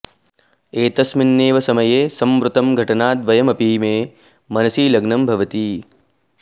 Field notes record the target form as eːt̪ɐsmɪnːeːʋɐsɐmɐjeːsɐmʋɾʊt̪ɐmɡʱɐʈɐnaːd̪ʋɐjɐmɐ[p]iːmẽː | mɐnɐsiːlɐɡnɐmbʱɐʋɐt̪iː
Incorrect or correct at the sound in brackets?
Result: correct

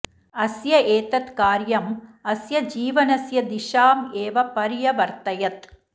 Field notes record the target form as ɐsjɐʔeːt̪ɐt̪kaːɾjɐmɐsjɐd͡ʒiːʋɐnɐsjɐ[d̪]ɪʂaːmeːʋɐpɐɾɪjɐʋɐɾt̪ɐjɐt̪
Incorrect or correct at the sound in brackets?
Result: correct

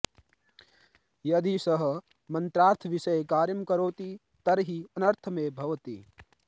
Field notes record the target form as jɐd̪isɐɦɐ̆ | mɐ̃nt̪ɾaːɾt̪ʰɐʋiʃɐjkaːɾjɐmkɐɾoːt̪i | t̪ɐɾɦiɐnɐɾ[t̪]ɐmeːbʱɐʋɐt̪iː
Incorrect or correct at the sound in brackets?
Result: incorrect: t̪ʰ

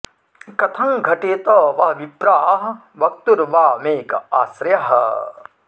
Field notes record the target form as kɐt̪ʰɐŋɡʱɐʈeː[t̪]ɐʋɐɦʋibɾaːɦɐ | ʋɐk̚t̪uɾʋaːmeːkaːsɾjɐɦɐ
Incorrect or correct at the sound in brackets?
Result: correct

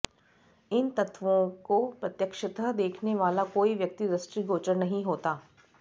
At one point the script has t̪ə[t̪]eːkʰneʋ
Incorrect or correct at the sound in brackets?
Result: incorrect: d̪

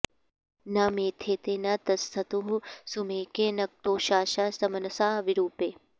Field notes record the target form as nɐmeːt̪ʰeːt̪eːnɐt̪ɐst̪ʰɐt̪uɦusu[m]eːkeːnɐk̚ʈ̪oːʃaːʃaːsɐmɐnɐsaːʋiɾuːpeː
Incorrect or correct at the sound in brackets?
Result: correct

